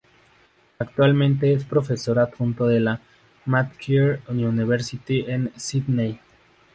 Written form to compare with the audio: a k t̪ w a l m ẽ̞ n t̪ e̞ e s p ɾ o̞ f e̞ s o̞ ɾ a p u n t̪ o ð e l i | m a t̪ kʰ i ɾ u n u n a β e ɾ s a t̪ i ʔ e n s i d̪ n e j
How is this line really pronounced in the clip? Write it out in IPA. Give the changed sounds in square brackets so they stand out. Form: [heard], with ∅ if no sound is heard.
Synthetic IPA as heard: a k t̪ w a l m ẽ̞ n t̪ e̞ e s p ɾ o̞ f e̞ s o̞ ɾ a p u n t̪ o ð e l [a] | m a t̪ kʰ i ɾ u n u n [i] β e ɾ s [i] t̪ i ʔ e n s i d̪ n e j